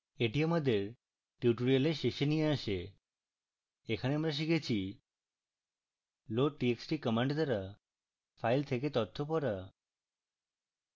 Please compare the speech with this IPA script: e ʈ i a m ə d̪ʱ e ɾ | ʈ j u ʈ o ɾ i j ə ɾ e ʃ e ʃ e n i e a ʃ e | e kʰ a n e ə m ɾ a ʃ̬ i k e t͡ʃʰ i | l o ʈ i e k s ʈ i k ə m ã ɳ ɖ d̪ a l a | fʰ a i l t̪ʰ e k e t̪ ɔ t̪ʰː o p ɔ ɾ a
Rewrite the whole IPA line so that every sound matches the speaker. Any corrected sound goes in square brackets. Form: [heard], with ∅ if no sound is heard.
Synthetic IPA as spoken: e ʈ i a m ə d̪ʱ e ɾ | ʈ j u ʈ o ɾ i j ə [l] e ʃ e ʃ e n i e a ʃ e | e kʰ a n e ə m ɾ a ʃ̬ i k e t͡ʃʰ i | l o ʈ i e k s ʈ i k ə m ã ɳ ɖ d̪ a [ɾ] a | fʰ a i l t̪ʰ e k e t̪ ɔ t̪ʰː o p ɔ ɾ a